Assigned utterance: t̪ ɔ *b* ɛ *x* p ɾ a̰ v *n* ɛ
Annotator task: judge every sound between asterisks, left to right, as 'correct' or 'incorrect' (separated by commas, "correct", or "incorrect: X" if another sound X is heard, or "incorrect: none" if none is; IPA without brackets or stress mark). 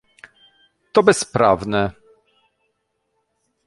correct, incorrect: s, correct